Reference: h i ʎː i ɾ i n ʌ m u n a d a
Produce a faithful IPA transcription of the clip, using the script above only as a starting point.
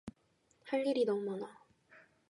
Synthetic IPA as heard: h a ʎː i ɾ i n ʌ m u m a n a